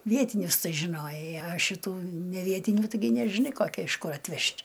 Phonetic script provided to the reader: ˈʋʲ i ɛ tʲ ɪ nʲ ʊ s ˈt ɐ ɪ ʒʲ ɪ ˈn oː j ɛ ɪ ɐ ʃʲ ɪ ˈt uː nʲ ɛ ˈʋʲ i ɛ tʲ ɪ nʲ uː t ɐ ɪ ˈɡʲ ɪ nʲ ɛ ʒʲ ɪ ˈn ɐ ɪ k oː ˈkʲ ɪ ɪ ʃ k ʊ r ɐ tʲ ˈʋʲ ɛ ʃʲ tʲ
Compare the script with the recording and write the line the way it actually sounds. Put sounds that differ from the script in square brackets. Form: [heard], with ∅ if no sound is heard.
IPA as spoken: ˈʋʲ i ɛ tʲ ɪ nʲ ʊ s ˈt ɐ ɪ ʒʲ ɪ ˈn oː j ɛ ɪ ɐ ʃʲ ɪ ˈt uː nʲ ɛ ˈʋʲ i ɛ tʲ ɪ nʲ uː t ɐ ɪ ˈɡʲ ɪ nʲ ɛ ʒʲ ɪ ˈn ɐ ɪ k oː ˈkʲ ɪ ɪ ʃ k ʊ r ɐ tʲ ˈʋʲ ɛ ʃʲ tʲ